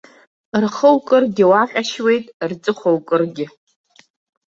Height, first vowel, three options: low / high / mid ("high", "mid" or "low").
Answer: mid